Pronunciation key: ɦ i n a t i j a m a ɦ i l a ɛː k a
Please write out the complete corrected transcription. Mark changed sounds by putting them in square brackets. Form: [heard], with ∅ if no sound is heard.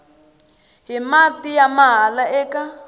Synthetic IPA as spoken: ɦ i [m] a t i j a m a ɦ [a] l a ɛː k a